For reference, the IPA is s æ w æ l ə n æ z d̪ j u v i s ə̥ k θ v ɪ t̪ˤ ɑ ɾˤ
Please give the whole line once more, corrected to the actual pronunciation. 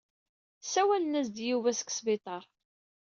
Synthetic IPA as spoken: s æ w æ l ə n æ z d̪ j u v æ s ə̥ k s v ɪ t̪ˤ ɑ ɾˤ

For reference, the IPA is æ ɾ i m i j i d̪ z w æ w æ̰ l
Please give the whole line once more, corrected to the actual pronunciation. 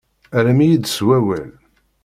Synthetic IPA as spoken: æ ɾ æ m i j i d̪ s w æ w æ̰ l

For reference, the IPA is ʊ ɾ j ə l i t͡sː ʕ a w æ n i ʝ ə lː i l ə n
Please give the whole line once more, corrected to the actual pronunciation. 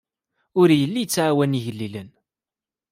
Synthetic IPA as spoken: ʊ ɾ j ə lː i t͡sː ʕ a w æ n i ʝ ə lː i l ə n

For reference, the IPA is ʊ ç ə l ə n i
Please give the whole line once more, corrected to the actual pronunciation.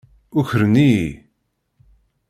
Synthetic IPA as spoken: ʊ ç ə ɾ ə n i

